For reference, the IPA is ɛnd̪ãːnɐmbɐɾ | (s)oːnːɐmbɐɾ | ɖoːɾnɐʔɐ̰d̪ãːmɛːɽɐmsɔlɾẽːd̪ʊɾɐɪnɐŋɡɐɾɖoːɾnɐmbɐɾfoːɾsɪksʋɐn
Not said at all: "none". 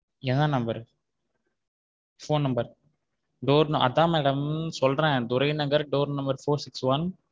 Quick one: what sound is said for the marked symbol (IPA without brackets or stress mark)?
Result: f